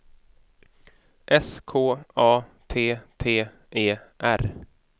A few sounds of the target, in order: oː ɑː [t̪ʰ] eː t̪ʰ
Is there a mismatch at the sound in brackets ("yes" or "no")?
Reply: no